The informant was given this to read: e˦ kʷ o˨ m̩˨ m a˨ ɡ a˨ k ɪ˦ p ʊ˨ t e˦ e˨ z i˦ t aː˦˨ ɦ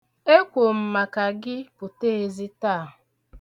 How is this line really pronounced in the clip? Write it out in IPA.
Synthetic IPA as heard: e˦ kʷ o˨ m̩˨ m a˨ k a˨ ɡ ɪ˦ p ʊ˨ t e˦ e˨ z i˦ t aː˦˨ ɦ